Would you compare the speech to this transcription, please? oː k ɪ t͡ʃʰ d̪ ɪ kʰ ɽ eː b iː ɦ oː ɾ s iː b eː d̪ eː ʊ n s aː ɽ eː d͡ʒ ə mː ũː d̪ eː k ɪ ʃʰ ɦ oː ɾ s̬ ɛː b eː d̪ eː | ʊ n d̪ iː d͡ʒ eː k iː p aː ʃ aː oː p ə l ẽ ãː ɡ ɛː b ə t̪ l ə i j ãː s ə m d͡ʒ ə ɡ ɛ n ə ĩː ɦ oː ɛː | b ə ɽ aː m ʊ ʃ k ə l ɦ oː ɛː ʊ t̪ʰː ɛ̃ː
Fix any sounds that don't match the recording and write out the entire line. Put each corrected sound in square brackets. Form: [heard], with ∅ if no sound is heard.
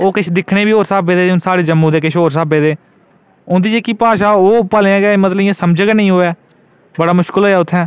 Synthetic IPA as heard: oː k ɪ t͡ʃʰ d̪ ɪ kʰ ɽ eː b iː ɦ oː ɾ s [aː] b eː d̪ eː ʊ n s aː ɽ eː d͡ʒ ə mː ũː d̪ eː k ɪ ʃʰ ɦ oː ɾ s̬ [aː] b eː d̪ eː | ʊ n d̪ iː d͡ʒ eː k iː p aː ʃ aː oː p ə l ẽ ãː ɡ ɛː [m] ə t̪ l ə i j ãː s ə m d͡ʒ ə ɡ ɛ n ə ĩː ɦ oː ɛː | b ə ɽ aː m ʊ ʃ k ə l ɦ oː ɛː ʊ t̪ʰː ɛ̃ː